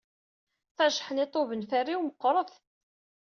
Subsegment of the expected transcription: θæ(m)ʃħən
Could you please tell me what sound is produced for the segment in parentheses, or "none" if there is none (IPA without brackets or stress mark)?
none